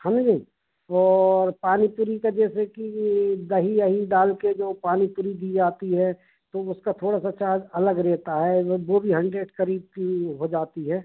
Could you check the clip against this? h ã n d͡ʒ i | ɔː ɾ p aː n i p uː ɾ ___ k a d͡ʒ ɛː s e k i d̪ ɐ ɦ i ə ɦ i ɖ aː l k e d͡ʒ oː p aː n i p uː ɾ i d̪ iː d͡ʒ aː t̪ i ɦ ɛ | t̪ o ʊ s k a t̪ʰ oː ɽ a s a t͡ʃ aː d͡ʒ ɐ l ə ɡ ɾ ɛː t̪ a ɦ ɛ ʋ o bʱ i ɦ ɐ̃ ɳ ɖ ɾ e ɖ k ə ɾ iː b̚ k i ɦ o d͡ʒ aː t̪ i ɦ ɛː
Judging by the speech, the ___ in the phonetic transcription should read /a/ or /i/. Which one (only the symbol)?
i